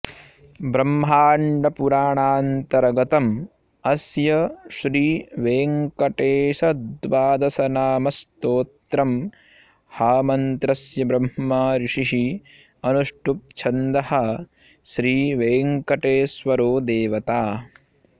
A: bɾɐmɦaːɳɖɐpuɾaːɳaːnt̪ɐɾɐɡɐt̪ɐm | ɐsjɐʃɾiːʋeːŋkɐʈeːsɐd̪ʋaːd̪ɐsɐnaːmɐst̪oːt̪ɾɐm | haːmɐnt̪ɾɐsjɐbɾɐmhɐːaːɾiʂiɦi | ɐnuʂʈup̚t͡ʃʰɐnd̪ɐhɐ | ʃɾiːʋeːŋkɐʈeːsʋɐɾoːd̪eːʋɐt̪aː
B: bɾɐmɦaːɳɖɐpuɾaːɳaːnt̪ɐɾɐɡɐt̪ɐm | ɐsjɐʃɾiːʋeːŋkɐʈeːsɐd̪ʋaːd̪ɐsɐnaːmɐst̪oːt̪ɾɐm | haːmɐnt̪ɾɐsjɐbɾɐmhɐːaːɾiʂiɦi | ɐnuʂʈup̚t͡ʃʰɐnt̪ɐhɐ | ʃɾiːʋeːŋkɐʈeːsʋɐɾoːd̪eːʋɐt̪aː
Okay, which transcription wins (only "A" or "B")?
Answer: A